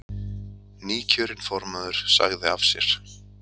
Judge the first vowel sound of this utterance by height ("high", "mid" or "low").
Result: high